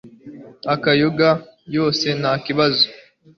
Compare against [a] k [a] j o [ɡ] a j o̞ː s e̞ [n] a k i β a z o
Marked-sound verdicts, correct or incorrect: correct, correct, correct, correct

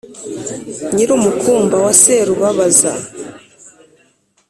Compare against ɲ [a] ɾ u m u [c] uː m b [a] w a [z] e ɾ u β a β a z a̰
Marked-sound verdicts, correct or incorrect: incorrect, incorrect, correct, incorrect

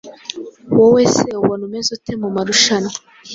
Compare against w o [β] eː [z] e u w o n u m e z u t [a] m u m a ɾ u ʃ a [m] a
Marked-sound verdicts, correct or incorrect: incorrect, incorrect, incorrect, incorrect

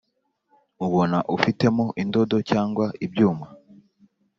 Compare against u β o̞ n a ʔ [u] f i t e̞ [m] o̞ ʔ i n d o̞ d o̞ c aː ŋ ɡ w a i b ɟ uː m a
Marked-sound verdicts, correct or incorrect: correct, correct

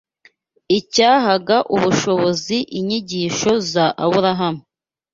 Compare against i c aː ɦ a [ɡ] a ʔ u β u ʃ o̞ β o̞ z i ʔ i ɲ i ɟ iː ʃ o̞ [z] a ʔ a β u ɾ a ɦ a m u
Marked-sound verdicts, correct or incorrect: correct, correct

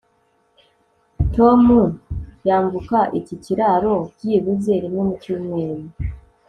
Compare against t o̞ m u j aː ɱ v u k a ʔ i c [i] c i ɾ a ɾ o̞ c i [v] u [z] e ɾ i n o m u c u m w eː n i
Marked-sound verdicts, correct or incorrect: correct, incorrect, correct

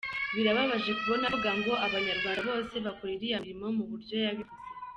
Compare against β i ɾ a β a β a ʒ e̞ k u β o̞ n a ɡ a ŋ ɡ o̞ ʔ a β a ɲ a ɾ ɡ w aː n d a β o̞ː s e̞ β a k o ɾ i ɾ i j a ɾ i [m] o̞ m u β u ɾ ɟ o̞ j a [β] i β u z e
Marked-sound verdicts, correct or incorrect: correct, correct

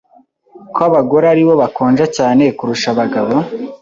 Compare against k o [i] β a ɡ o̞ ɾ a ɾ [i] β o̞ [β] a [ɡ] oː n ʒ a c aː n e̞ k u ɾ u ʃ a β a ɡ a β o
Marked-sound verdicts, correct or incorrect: incorrect, correct, correct, incorrect

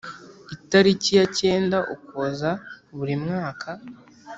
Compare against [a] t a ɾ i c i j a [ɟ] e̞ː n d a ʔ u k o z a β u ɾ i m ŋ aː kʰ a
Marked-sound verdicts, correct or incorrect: incorrect, incorrect

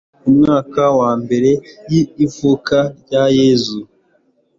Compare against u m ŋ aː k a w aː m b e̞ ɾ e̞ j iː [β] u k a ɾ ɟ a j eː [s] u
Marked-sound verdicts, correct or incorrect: incorrect, incorrect

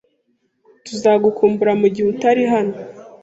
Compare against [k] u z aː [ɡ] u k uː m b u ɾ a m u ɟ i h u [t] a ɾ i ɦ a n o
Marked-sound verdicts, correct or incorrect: incorrect, correct, correct

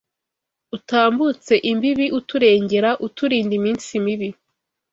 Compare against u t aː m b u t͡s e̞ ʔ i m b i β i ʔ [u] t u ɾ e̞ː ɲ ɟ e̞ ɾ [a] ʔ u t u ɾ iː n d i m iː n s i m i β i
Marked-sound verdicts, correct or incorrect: correct, correct

